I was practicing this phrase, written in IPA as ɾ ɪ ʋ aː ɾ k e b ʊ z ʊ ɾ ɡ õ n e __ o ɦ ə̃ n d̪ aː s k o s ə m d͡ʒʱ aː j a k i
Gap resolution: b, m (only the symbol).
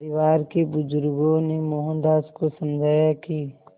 m